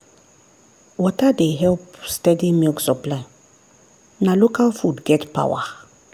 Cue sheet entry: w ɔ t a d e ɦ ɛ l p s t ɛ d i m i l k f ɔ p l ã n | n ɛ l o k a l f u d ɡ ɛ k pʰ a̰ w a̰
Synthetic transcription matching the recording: w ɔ t a d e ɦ ɛ l p s t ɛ d i m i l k s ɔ p l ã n | n a l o k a l f u d ɡ ɛ t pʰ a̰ w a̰